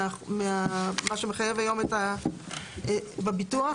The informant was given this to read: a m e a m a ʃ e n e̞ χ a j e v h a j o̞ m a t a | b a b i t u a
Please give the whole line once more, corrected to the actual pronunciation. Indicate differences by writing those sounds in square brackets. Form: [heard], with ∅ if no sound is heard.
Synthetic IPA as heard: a m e a m a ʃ e [m] e̞ χ a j e v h a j o̞ m [e] t a | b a b i t u a